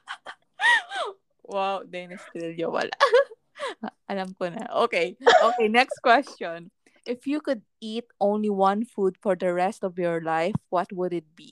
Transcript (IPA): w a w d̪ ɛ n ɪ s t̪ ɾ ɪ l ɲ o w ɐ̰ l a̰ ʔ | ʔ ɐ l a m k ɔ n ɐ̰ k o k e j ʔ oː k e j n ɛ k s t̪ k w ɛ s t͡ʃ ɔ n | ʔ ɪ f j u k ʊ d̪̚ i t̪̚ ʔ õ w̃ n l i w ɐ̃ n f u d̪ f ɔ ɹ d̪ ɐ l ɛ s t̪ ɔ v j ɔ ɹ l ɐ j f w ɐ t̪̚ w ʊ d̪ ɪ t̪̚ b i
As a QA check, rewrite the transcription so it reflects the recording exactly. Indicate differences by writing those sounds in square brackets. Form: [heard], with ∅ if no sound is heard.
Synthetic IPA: w a w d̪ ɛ n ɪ s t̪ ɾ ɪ l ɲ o w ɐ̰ l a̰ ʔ | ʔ ɐ l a m k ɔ n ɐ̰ [ʔ] o k e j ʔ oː k e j n ɛ k s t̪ k w ɛ s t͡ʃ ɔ n | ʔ ɪ f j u k ʊ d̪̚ i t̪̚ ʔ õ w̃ n l i w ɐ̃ n f u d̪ f ɔ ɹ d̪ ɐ [ɹ] ɛ s t̪ ɔ v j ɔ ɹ l [a] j f w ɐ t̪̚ w ʊ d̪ ɪ t̪̚ b i